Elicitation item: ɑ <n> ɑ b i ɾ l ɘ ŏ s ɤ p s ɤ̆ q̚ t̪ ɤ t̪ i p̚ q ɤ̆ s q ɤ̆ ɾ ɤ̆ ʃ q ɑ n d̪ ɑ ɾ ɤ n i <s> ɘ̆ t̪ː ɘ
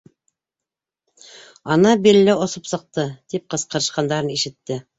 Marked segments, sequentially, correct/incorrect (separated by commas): correct, incorrect